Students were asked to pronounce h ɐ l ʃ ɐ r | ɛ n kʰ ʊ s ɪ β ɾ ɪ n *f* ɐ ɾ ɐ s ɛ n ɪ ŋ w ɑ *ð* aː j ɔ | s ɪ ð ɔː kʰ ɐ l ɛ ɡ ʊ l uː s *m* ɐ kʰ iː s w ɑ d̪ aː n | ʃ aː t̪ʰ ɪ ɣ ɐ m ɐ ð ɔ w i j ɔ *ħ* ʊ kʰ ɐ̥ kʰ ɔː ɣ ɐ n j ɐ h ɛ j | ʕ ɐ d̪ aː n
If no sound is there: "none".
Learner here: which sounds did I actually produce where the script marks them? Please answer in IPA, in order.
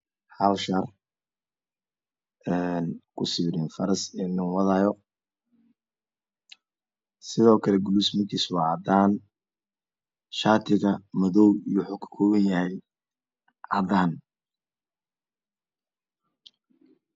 f, ð, m, ħ

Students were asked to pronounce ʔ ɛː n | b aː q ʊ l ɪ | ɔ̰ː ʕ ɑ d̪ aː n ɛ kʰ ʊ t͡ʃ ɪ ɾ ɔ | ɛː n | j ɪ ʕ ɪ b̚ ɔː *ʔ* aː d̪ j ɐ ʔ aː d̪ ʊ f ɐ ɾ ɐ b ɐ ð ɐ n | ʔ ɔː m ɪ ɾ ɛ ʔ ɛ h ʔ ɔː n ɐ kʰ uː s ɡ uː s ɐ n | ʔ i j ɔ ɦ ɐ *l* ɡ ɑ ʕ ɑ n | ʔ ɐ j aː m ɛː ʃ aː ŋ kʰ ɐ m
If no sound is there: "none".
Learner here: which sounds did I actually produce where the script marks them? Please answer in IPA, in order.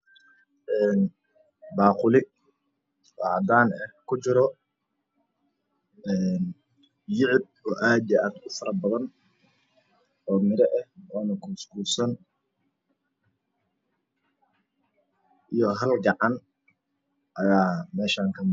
ʔ, l

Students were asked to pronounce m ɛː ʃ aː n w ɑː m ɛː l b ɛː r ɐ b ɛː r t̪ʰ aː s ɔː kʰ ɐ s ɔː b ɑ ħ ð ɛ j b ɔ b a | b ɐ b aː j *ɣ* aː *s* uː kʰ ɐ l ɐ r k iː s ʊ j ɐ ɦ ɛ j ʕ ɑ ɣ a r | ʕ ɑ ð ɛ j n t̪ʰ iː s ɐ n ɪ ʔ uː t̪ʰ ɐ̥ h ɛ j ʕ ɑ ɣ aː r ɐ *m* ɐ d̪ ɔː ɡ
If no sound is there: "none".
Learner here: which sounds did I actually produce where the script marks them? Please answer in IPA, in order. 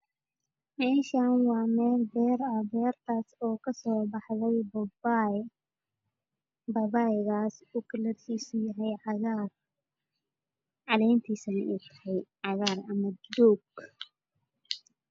ɣ, s, m

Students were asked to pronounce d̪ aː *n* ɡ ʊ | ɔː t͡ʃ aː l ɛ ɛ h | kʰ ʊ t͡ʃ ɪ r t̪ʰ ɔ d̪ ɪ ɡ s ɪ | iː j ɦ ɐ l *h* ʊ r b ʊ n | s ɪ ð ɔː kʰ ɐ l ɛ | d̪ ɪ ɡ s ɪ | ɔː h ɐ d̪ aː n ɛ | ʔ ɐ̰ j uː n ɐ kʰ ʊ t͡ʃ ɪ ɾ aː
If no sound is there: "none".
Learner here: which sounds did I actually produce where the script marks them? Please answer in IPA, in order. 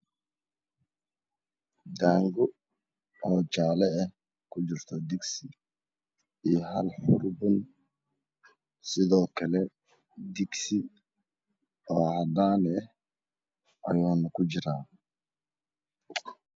ŋ, ħ

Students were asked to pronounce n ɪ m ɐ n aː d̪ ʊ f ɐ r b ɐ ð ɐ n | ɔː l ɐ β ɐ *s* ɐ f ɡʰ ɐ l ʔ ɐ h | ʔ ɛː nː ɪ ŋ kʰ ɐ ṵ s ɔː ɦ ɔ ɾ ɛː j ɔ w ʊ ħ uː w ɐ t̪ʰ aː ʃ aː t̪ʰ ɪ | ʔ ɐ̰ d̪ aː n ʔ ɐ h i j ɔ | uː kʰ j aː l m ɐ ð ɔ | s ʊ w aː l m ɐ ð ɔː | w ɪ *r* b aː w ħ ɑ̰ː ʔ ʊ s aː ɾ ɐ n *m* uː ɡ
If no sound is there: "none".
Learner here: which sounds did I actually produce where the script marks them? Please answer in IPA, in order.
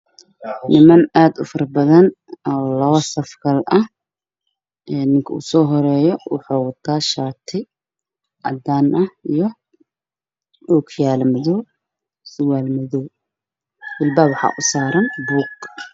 s, l, b

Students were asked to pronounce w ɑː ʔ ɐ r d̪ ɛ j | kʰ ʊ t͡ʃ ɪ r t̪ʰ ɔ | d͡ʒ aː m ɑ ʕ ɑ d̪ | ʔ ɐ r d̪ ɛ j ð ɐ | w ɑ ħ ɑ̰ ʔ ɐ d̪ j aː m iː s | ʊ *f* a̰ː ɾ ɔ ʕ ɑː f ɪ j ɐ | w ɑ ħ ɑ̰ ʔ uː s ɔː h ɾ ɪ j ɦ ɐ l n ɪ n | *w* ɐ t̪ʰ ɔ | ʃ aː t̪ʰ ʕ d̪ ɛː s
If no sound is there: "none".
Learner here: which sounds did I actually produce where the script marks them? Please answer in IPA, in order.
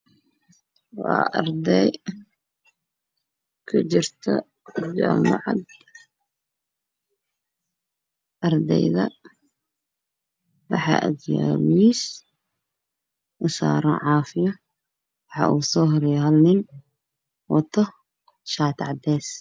s, w

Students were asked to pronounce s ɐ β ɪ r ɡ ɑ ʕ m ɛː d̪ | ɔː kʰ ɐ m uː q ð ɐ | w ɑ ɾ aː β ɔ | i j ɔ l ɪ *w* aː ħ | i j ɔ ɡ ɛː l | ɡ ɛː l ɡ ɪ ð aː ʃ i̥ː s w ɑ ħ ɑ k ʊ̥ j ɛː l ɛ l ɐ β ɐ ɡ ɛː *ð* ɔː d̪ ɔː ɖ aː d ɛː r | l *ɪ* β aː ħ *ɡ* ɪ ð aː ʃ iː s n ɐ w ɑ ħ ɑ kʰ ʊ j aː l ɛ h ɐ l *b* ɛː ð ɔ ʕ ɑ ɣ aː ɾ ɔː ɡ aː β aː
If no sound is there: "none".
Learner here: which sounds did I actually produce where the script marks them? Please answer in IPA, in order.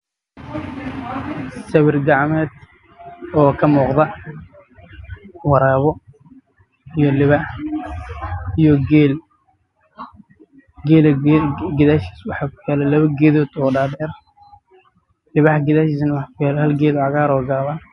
β, ð, ɪ, ɡ, ɡ

